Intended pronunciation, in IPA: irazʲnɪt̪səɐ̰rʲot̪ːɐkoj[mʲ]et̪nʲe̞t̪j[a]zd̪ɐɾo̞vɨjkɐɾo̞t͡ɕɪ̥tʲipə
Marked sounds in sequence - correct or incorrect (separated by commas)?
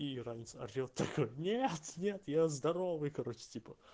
incorrect, correct